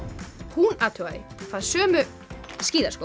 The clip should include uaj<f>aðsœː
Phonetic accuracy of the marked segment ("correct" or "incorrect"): correct